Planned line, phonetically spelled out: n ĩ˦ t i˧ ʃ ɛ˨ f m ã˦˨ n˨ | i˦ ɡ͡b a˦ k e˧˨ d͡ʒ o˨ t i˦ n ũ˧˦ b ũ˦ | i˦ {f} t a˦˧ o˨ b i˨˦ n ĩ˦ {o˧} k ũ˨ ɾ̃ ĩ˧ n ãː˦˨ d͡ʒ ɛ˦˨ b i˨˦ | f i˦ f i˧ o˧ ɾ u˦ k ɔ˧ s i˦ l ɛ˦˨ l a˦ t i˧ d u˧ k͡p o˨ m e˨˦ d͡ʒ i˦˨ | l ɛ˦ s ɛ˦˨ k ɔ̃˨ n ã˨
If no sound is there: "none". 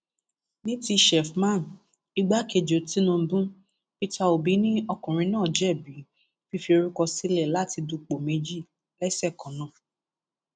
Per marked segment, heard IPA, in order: none, ɔ˧

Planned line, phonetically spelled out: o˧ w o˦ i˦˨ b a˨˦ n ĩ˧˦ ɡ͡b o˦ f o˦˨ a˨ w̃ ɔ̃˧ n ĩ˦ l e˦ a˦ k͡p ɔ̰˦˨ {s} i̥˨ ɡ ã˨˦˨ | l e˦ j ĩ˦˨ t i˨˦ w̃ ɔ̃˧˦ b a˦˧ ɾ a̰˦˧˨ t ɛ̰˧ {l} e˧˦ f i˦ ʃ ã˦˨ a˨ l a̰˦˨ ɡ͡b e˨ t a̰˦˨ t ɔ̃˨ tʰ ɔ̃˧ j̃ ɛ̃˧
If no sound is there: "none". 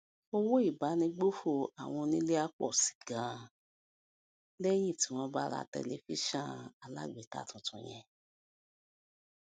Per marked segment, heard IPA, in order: s, l

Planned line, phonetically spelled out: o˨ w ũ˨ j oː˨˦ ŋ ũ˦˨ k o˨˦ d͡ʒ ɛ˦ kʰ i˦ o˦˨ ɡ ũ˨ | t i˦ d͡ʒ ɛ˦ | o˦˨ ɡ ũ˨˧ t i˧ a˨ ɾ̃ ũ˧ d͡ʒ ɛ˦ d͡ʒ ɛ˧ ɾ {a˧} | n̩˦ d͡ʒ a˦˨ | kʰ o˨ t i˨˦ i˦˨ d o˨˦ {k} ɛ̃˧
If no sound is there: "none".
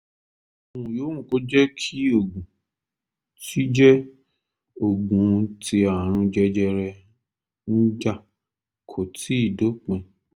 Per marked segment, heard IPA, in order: ɛ˧, k͡p

